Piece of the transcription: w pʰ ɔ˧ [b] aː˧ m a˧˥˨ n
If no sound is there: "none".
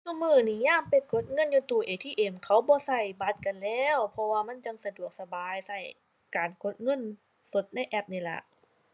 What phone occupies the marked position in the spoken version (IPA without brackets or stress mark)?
w